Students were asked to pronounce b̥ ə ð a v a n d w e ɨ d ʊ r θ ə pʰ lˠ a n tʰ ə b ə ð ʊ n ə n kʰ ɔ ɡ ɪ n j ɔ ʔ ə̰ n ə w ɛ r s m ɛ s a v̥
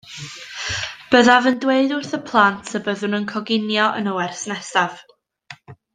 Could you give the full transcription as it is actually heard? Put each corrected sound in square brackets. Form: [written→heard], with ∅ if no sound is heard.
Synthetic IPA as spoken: b̥ ə ð a v [a→ə] n d w e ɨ d ʊ r θ ə pʰ lˠ a n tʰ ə b ə ð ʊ n ə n kʰ ɔ ɡ ɪ n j ɔ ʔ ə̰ n ə w ɛ r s [m→n] ɛ s a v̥